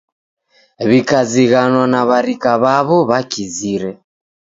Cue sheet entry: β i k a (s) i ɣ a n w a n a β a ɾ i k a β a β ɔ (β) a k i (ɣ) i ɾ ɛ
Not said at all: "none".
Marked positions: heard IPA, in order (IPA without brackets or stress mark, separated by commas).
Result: z, β, z